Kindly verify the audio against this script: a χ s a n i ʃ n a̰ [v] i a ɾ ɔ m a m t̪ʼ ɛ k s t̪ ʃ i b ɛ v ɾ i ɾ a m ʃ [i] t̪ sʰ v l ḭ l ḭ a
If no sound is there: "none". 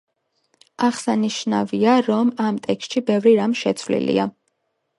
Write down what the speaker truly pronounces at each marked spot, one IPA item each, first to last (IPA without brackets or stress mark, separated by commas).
v, ɛ